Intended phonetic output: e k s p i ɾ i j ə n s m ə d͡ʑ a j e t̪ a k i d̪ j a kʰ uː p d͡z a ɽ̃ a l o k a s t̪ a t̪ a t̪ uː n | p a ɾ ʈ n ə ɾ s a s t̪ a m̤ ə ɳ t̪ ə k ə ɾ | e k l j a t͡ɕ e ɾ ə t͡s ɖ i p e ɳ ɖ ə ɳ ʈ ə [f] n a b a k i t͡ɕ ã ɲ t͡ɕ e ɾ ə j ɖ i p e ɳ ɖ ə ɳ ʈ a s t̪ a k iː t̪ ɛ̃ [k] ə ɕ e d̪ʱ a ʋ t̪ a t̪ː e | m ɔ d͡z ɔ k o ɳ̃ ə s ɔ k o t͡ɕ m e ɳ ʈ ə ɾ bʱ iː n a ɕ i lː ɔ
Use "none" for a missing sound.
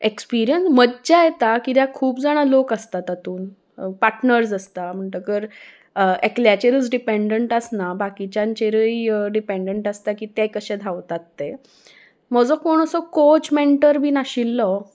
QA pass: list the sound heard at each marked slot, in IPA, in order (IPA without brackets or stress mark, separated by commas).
s, k